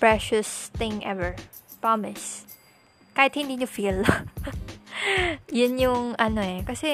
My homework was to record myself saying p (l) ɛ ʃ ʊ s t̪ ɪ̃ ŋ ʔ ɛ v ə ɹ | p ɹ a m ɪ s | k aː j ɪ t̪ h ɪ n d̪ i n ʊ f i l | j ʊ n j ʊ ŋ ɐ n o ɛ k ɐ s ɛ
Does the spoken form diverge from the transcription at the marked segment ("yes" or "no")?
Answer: yes